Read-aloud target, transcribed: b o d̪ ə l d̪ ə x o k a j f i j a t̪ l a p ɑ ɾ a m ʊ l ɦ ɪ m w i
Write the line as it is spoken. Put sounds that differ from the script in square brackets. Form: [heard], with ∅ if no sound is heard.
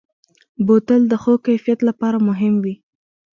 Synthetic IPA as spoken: b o [t̪] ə l d̪ ə x o k a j f i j a t̪ l a p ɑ ɾ a m ʊ [∅] ɦ ɪ m w i